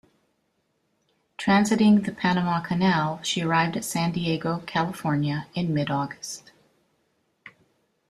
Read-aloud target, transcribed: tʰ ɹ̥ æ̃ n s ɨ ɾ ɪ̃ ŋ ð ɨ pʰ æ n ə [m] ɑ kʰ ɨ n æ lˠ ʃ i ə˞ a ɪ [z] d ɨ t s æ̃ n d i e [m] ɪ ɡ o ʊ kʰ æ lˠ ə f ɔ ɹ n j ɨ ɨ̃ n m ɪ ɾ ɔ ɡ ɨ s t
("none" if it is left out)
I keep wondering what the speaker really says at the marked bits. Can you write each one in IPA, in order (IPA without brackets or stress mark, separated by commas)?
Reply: m, v, none